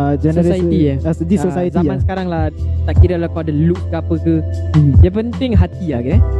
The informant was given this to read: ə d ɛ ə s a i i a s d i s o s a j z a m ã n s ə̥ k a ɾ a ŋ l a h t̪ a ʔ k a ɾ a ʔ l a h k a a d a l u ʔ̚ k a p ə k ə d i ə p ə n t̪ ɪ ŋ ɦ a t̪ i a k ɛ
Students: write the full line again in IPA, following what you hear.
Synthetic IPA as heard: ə d͡ʒ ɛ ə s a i i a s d i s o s a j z a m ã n s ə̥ k a ɾ a ŋ l a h t̪ a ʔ k i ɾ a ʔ l a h k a a d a l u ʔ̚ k a p ə k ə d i a p ə n t̪ ɪ ŋ ɦ a t̪ i a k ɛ